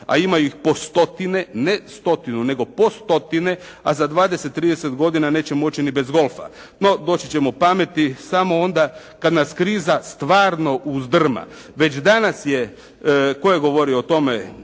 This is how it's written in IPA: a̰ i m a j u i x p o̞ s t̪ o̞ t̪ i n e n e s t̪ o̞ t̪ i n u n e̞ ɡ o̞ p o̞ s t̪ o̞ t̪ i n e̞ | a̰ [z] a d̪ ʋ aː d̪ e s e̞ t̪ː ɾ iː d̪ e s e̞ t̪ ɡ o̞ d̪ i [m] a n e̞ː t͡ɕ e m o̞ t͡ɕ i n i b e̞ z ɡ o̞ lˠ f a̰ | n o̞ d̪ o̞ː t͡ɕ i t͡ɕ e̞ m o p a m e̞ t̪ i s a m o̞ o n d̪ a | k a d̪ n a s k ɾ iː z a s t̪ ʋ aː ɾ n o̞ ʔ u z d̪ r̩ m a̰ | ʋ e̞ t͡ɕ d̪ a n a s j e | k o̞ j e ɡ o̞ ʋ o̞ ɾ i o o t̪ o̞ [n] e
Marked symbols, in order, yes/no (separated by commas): yes, no, no